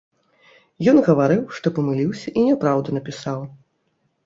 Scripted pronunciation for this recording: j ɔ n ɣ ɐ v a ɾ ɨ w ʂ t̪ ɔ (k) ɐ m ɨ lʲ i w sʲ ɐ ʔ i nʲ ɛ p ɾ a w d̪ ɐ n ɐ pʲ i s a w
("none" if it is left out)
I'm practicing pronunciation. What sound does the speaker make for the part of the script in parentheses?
p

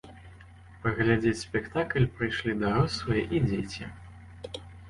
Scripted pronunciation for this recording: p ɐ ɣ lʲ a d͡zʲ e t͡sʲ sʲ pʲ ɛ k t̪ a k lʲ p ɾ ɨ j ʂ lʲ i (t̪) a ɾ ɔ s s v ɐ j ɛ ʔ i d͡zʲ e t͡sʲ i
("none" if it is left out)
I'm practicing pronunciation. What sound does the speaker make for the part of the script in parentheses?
d̪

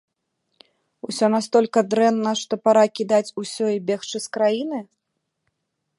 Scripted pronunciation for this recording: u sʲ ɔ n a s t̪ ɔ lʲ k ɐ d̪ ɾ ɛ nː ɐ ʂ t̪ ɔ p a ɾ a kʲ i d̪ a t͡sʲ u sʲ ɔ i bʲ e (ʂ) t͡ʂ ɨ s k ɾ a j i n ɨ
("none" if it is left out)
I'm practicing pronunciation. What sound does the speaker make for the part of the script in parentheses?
x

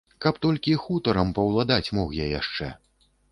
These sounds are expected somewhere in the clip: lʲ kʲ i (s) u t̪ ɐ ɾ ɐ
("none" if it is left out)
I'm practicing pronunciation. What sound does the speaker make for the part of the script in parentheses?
x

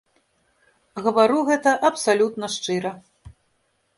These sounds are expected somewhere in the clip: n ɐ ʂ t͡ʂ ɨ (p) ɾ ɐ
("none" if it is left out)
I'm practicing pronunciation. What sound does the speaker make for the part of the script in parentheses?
none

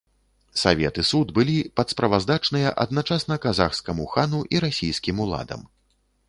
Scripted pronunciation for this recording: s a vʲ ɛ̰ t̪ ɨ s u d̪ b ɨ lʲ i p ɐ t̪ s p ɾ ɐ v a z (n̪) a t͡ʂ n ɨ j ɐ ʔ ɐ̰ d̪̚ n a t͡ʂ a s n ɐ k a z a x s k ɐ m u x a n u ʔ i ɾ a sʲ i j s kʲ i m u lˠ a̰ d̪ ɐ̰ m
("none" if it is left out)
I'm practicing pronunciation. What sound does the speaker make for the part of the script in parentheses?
d̪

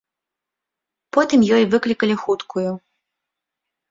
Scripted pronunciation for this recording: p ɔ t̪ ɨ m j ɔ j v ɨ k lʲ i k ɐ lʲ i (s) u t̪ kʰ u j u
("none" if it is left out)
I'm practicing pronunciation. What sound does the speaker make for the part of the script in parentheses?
x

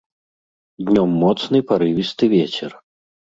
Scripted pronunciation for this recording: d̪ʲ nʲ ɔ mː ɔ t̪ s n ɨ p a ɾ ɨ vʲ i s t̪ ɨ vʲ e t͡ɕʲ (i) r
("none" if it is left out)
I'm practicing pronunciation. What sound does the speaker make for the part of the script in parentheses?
ɛ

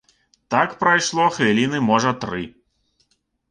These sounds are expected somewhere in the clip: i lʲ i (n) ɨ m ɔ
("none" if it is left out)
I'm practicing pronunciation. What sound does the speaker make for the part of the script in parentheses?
n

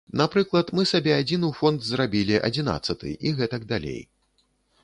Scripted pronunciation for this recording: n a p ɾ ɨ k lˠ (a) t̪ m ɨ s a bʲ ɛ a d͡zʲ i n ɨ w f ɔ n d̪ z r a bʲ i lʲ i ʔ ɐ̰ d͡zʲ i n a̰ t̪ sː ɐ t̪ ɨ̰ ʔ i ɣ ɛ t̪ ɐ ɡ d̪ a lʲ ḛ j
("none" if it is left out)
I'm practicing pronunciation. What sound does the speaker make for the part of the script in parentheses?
ɐ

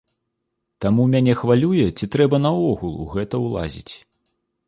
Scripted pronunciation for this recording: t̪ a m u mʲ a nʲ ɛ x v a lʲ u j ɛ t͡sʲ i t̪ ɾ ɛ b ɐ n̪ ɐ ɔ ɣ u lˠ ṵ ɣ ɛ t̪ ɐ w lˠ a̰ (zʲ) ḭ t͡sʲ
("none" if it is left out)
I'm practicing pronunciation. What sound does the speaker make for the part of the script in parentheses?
zʲ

